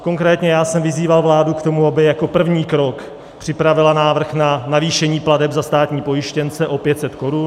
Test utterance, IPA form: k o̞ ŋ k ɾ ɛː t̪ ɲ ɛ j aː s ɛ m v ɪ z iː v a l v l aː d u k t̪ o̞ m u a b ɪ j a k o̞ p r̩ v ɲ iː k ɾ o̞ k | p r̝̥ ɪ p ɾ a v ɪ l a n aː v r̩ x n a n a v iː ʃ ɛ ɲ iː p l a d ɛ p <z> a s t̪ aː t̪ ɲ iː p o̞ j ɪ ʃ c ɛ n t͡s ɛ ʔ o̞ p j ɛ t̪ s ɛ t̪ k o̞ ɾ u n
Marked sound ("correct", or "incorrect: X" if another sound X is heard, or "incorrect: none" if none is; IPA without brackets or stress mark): correct